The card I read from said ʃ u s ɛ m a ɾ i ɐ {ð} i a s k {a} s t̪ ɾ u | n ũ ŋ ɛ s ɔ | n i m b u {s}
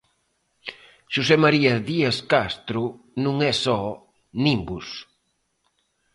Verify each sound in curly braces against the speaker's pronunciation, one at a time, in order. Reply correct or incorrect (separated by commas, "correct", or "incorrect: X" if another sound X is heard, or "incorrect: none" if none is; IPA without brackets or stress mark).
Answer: correct, correct, correct